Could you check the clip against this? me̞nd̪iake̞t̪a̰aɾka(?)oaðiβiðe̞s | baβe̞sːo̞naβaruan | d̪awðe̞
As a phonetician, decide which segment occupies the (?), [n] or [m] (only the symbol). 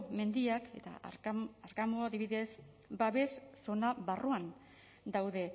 m